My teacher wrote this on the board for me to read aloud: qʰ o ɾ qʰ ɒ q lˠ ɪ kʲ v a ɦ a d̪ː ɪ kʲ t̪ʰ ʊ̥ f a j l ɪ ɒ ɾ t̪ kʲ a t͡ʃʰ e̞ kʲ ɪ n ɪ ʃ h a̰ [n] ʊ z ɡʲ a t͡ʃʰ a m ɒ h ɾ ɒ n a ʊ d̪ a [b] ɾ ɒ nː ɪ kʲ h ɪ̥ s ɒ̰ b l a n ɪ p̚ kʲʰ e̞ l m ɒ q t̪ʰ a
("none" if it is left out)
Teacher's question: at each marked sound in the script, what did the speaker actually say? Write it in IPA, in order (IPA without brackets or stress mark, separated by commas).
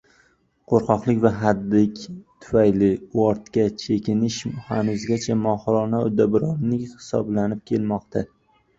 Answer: n, b